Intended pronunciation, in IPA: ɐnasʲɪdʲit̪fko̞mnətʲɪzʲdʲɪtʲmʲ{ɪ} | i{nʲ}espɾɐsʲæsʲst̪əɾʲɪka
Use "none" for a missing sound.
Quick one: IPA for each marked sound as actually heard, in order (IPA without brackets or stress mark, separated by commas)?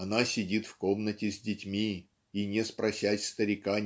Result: i, nʲ